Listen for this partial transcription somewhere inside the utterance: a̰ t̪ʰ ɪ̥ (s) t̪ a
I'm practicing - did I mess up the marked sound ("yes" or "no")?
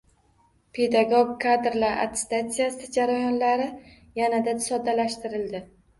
no